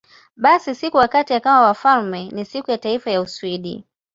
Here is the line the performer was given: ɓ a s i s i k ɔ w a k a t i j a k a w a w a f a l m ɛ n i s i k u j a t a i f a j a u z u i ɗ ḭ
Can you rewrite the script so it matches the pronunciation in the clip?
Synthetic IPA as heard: ɓ a s i s i k u w a k a t i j a k a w a w a f a l m ɛ n i s i k u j a t a i f a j a u s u i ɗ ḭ